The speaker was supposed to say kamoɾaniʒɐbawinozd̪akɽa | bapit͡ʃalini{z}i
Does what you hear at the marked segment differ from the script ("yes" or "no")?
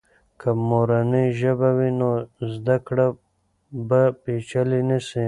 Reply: yes